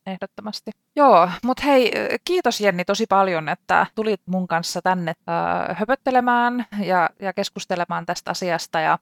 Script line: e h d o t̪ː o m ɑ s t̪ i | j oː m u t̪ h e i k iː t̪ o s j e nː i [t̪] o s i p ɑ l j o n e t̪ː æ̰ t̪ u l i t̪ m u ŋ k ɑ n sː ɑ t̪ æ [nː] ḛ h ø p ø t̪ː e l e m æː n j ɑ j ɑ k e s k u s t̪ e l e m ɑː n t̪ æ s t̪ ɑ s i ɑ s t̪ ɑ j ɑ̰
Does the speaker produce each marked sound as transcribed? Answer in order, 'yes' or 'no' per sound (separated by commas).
yes, yes